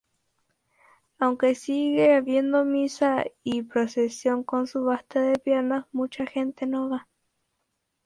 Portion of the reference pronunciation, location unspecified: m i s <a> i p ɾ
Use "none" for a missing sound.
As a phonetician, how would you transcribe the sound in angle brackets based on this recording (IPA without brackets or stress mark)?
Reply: a